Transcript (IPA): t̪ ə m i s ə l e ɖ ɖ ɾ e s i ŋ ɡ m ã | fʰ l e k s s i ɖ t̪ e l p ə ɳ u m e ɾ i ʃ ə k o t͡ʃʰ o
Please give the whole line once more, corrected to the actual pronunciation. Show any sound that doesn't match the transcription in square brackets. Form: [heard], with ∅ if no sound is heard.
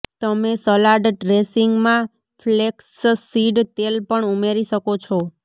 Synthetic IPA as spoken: t̪ ə m [e] s ə l [a] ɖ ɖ ɾ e s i ŋ ɡ m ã | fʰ l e k s s i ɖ t̪ e l p ə ɳ u m e ɾ i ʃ ə k o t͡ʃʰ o